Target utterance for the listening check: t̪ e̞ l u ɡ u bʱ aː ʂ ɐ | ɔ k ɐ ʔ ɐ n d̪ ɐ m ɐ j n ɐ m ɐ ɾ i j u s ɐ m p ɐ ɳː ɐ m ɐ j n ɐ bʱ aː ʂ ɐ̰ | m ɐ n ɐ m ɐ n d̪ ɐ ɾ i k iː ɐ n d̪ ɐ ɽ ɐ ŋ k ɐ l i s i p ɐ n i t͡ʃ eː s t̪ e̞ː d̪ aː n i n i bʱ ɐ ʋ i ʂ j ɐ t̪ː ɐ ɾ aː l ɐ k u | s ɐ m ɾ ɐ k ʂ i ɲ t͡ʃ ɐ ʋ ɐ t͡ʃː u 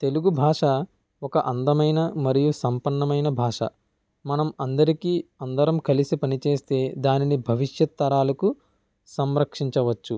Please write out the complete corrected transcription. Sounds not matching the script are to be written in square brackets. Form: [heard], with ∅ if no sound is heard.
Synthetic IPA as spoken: t̪ e̞ l u ɡ u bʱ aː ʂ ɐ | ɔ k ɐ ʔ ɐ n d̪ ɐ m ɐ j n ɐ m ɐ ɾ i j u s ɐ m p ɐ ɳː ɐ m ɐ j n ɐ bʱ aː ʂ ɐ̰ | m ɐ n ɐ m ɐ n d̪ ɐ ɾ i k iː ɐ n d̪ ɐ [ɾ] ɐ [m] k ɐ l i s i p ɐ n i t͡ʃ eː s t̪ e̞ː d̪ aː n i n i bʱ ɐ ʋ i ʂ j ɐ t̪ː ɐ ɾ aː l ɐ k u | s ɐ m ɾ ɐ k ʂ i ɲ t͡ʃ ɐ ʋ ɐ t͡ʃː u